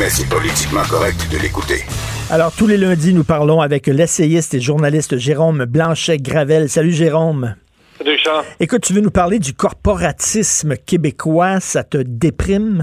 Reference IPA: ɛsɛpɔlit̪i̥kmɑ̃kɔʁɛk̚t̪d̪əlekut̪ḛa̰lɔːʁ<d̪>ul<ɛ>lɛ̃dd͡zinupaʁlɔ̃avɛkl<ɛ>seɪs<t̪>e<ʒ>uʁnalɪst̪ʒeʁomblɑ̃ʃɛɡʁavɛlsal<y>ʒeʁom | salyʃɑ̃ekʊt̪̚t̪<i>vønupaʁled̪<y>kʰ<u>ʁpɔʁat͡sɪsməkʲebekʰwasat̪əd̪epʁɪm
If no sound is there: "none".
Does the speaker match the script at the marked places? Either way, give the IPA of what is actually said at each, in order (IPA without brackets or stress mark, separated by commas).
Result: t̪, e, ɛ, t̪, ʒ, y, y, y, ɔ